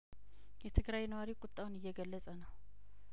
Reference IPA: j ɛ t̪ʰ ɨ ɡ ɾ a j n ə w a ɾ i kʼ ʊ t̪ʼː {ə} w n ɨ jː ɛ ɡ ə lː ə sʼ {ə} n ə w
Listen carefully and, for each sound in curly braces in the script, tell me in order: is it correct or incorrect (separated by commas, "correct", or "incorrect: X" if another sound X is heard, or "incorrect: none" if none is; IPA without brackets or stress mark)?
incorrect: a, correct